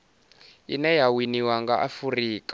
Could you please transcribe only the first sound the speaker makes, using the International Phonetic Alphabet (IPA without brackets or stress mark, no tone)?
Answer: i